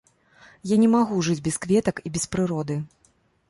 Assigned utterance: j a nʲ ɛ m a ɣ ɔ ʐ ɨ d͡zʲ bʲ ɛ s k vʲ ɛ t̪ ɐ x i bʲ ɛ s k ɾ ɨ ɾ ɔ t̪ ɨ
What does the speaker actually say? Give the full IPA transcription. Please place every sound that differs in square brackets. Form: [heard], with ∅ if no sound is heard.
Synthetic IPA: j a nʲ ɛ m a ɣ [u] ʐ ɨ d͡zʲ bʲ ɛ s k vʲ ɛ t̪ ɐ [k] i bʲ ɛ s [p] ɾ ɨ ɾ ɔ [d̪] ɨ